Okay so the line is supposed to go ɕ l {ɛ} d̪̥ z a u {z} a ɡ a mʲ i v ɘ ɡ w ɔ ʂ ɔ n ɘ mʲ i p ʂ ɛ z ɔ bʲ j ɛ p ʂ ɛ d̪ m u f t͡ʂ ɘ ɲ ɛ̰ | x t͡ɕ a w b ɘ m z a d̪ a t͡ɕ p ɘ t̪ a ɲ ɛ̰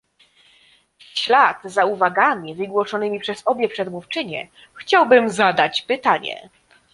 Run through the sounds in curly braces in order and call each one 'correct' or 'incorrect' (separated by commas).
incorrect, incorrect